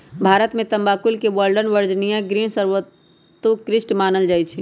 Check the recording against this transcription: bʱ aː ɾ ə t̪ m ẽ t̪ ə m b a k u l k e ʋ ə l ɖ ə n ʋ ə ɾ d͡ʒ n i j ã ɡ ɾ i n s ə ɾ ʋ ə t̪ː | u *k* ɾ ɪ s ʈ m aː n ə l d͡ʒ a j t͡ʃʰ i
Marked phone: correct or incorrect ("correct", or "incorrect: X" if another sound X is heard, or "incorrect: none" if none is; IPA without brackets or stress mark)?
correct